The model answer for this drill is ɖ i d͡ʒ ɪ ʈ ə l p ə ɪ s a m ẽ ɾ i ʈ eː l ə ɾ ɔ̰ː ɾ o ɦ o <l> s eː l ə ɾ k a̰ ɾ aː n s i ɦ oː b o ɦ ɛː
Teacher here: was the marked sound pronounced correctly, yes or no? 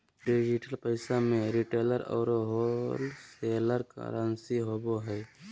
yes